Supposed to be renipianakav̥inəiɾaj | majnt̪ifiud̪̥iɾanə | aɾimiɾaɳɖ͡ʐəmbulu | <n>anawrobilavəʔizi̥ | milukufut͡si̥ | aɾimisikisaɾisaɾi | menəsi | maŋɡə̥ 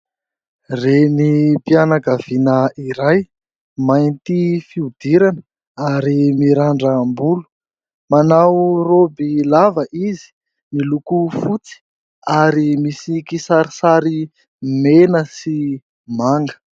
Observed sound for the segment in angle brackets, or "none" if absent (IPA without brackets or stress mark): m